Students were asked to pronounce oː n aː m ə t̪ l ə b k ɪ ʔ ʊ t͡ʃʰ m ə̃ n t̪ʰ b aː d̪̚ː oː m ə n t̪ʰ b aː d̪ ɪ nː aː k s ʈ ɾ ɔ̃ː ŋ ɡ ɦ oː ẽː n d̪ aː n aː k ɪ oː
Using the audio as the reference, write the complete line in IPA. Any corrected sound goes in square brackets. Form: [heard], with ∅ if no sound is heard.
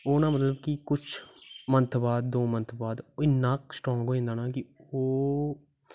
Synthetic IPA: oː n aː m ə t̪ l ə b k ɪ [k] ʊ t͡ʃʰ m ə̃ n t̪ʰ b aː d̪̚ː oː m ə n t̪ʰ b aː d̪ ɪ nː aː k s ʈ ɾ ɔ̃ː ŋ ɡ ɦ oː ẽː n d̪ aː n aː k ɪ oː

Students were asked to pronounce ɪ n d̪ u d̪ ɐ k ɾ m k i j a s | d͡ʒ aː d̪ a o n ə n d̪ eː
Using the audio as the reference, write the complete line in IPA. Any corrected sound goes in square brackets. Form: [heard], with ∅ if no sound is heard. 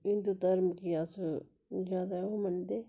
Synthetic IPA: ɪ n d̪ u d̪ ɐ [∅] ɾ m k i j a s | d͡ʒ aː d̪ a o [m] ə n d̪ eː

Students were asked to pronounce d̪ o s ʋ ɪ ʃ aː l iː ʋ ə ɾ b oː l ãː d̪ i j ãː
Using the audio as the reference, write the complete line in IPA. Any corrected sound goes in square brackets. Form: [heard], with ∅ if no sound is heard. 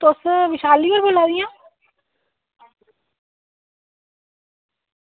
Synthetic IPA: [t̪] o s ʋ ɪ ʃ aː l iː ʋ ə ɾ b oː l [aː] d̪ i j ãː

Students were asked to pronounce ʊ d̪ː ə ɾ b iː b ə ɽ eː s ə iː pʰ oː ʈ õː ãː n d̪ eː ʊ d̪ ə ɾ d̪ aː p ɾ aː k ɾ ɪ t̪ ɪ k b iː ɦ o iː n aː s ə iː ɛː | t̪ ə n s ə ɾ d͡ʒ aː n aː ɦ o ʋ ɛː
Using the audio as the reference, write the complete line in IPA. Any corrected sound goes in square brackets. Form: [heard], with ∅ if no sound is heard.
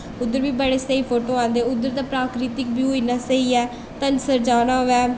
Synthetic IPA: ʊ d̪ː ə ɾ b iː b ə ɽ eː s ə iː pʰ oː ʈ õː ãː n d̪ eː ʊ d̪ ə ɾ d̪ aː p ɾ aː k ɾ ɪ t̪ ɪ k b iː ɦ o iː n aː s ə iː ɛː | t̪ ə n s ə ɾ d͡ʒ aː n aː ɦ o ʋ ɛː

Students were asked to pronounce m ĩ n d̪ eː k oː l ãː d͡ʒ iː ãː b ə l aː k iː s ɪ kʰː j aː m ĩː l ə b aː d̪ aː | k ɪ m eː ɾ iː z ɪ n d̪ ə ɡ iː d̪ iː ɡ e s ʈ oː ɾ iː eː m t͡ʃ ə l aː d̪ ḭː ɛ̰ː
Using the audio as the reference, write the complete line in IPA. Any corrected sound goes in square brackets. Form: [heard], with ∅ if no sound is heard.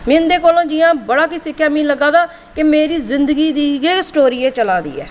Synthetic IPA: m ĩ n d̪ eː k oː l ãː d͡ʒ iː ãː b ə [ɽ] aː k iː s ɪ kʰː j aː m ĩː l ə [ɡ] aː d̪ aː | k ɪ m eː ɾ iː z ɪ n d̪ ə ɡ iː d̪ iː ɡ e s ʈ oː ɾ iː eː [∅] t͡ʃ ə l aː d̪ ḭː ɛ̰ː

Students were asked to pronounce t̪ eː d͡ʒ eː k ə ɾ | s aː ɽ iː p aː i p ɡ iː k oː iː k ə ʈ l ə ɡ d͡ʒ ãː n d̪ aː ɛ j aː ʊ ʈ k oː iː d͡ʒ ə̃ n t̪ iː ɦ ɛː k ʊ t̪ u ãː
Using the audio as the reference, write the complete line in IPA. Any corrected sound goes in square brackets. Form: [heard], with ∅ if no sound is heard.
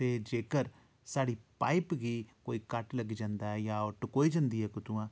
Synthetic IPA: t̪ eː d͡ʒ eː k ə ɾ | s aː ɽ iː p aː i p ɡ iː k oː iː k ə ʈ l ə ɡ d͡ʒ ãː n d̪ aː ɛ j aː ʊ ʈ k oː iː d͡ʒ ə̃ n [d̪] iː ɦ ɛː k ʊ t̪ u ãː

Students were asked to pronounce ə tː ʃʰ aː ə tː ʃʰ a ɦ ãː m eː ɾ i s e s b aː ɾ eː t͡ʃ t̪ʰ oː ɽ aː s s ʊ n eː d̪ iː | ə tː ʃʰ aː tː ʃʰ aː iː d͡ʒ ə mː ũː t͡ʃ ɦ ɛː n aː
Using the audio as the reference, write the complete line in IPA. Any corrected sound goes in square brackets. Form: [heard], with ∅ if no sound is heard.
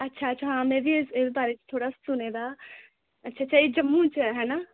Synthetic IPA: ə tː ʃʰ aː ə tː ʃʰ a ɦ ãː m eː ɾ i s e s b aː ɾ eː t͡ʃ t̪ʰ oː ɽ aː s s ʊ n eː d̪ [aː] | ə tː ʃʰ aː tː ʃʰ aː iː d͡ʒ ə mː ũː t͡ʃ ɦ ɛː n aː

